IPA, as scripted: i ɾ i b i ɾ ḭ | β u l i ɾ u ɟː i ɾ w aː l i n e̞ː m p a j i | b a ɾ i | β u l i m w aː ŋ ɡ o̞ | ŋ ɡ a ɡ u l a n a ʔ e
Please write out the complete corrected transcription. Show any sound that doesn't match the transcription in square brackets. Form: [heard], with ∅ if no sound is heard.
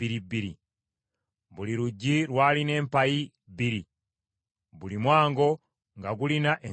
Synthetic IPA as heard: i ɾ i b i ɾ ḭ | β u l i ɾ u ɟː i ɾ w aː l i n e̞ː m p a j i | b [i] ɾ i | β u l i m w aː ŋ ɡ o̞ | ŋ ɡ a ɡ u l [i] n a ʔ e